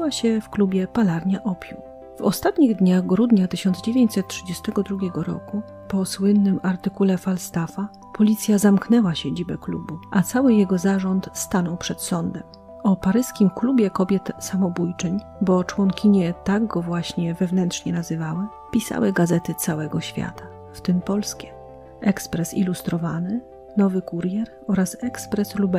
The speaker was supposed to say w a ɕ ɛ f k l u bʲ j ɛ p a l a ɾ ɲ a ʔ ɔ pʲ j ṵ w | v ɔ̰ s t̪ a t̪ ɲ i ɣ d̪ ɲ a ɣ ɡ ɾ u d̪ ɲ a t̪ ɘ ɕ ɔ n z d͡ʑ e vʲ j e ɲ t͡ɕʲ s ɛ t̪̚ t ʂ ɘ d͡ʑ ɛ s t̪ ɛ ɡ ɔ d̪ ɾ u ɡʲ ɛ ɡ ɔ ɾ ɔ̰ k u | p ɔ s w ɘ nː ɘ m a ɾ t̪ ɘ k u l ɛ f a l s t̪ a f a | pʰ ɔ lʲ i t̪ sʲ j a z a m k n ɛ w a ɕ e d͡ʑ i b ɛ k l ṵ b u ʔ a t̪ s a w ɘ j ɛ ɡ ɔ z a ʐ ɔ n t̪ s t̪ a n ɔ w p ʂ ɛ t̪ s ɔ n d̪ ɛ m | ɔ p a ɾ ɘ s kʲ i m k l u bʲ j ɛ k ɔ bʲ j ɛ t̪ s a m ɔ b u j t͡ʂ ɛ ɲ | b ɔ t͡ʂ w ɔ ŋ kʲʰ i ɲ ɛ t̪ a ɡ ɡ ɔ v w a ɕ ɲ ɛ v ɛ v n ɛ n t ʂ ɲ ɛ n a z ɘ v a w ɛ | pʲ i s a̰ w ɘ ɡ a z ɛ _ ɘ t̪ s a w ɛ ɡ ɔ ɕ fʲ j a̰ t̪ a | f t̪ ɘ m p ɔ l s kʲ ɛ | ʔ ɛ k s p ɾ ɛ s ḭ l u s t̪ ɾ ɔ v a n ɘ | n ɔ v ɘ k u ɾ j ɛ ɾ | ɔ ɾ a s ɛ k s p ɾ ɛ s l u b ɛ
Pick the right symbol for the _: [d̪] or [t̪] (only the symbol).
t̪